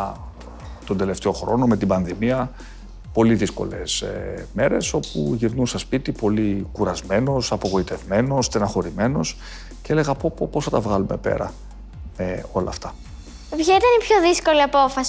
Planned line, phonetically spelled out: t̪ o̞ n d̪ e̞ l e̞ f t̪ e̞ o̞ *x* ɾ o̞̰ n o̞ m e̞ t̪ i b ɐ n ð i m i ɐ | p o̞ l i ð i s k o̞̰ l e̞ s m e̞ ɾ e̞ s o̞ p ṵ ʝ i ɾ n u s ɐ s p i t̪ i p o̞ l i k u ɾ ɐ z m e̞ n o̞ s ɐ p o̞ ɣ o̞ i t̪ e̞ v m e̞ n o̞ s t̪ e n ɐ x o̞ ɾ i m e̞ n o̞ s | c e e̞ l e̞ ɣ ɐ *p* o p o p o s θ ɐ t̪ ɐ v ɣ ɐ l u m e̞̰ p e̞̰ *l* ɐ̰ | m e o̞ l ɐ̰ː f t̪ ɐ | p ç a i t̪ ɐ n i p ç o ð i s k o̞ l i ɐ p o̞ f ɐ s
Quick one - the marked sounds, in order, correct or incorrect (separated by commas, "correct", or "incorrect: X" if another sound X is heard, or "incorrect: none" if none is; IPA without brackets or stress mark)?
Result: correct, correct, incorrect: ɾ